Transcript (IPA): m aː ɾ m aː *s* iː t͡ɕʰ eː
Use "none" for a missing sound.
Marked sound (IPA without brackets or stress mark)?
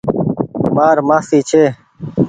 s